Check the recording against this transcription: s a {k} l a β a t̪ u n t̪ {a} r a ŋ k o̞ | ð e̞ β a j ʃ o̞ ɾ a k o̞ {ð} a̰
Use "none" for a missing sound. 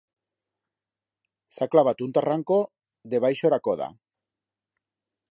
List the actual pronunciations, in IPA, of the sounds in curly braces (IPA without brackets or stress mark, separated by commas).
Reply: k, a, ð